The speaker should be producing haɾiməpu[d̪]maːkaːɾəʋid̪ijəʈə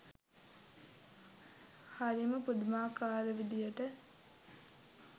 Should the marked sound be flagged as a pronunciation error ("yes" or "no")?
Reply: no